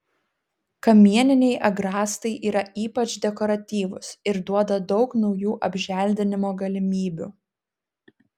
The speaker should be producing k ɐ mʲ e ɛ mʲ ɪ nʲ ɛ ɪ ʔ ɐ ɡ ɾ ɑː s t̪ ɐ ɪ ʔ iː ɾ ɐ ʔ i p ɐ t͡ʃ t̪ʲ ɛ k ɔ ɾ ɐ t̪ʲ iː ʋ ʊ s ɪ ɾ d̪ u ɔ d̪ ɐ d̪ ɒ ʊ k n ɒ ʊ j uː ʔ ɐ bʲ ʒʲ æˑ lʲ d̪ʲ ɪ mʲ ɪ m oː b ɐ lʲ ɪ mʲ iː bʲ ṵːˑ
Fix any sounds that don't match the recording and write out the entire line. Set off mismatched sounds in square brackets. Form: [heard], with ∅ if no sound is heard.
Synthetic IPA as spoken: k ɐ mʲ [i] ɛ [nʲ] ɪ nʲ ɛ ɪ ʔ ɐ ɡ ɾ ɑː s t̪ ɐ ɪ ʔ iː ɾ ɐ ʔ [iː] p ɐ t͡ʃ [d̪ʲ] ɛ k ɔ ɾ ɐ t̪ʲ iː ʋ ʊ s ɪ ɾ d̪ u ɔ d̪ ɐ d̪ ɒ ʊ k n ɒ ʊ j uː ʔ ɐ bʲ ʒʲ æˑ lʲ d̪ʲ ɪ [nʲ] ɪ m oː [ɡ] ɐ lʲ ɪ mʲ iː bʲ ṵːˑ